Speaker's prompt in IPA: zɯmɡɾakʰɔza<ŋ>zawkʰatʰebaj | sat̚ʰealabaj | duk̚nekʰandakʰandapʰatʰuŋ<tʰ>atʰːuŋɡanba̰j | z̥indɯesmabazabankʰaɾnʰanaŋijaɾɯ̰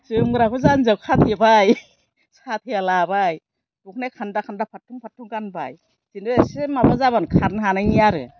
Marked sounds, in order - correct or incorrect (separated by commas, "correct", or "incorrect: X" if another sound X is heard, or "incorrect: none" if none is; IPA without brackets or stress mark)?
incorrect: n, incorrect: pʰ